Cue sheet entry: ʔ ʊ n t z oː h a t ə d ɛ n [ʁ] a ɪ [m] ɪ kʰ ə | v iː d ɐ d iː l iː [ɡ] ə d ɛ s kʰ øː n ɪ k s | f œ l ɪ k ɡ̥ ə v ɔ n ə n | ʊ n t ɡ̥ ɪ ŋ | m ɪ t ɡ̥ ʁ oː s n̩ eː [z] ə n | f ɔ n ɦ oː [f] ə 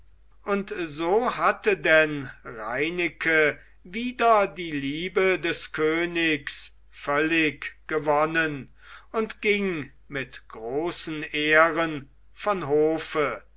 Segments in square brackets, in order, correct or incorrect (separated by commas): correct, incorrect, incorrect, incorrect, correct